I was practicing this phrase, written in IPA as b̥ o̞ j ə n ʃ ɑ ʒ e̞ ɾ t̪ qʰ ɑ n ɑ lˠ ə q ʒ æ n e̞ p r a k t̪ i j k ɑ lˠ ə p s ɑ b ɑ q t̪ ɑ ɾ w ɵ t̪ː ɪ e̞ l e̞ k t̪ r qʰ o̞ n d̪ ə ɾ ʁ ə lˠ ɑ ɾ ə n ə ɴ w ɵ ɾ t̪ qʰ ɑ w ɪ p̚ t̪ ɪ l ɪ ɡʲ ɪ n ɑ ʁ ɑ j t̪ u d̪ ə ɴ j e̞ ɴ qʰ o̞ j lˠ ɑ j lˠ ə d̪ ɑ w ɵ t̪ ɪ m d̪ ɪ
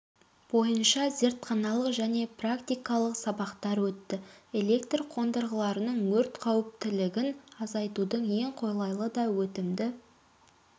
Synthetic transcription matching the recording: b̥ o̞ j ə n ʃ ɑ z e̞ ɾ t̪ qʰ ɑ n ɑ lˠ ə q ʒ æ n e̞ p r a k t̪ i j k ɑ lˠ ə q s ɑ b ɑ q t̪ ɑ ɾ w ɵ t̪ː ɪ e̞ l e̞ k t̪ r qʰ o̞ n d̪ ə ɾ ʁ ə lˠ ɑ ɾ ə n ə ɴ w ɵ ɾ t̪ qʰ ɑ w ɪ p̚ t̪ ɪ l ɪ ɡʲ ɪ n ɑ z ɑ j t̪ u d̪ ə ɴ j e̞ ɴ qʰ o̞ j lˠ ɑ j lˠ ə d̪ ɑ w ɵ t̪ ɪ m d̪ ɪ